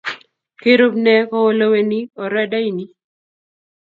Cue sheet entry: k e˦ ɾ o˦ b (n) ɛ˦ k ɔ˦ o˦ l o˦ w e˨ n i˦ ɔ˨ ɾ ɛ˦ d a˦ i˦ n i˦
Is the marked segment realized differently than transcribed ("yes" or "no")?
no